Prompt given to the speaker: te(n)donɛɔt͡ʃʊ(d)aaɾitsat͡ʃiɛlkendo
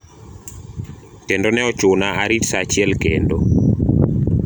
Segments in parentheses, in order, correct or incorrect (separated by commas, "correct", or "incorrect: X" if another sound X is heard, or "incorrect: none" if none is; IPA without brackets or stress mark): correct, incorrect: n